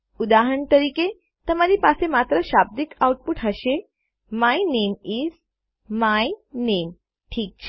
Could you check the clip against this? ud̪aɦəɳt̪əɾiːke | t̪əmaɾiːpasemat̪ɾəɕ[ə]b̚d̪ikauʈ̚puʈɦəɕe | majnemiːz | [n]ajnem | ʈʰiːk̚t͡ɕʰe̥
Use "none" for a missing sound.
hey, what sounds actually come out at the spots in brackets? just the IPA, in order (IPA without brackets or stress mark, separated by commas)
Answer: a, m